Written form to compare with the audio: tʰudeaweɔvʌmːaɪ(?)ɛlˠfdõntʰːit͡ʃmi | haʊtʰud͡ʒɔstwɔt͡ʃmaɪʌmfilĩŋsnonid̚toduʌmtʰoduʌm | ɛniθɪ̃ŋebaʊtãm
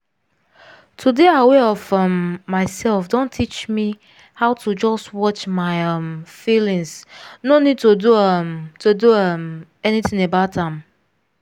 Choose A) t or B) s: B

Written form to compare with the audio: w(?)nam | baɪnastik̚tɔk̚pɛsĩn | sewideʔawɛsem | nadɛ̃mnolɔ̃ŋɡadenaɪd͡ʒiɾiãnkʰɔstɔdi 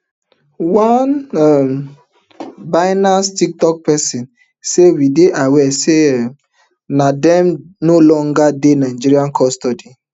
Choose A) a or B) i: A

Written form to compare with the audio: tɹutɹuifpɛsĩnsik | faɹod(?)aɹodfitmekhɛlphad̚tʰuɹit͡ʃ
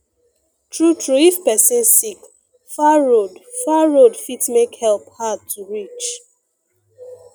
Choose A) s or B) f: B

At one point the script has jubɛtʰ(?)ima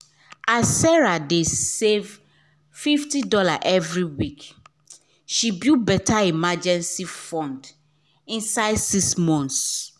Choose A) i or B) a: B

